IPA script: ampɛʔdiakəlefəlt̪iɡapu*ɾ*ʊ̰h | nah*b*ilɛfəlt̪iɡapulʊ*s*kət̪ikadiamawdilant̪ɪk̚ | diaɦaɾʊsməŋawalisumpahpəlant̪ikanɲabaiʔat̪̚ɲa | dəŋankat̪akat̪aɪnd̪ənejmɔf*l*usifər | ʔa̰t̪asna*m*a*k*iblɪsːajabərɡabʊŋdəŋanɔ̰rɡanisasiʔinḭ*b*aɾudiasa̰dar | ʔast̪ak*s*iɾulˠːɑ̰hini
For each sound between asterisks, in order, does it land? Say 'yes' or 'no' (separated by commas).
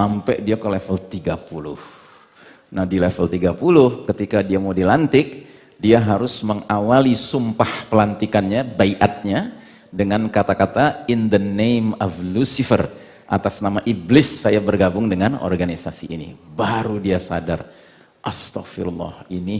no, no, no, yes, yes, no, yes, no